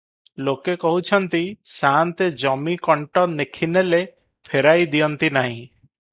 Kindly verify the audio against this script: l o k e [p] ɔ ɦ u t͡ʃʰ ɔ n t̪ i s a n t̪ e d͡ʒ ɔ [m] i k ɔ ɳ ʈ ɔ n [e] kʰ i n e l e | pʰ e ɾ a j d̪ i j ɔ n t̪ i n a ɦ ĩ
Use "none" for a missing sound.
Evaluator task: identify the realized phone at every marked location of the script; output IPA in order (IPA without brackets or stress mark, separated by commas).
k, m, e